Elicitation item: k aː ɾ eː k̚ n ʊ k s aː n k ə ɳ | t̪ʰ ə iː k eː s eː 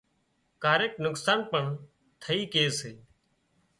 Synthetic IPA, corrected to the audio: k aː ɾ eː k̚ n ʊ k s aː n p ə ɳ | t̪ʰ ə iː k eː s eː